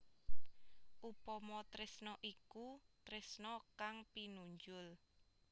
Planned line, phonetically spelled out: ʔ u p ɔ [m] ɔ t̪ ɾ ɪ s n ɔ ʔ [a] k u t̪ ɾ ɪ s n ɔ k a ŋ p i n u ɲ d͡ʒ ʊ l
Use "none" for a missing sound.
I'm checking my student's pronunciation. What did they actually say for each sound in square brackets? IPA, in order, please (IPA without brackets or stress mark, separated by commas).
m, i